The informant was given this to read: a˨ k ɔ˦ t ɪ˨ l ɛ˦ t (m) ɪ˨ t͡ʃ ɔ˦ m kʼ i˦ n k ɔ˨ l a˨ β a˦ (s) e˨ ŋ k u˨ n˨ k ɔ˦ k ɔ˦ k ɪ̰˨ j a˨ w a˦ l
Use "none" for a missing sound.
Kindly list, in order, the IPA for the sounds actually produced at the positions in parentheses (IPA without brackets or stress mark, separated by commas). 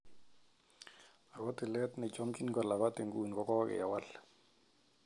n, t